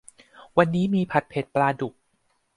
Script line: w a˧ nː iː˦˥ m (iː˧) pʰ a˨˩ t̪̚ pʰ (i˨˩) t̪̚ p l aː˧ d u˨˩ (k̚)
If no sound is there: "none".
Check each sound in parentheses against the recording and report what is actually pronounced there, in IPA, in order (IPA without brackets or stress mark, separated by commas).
iː˧, e˨˩, k̚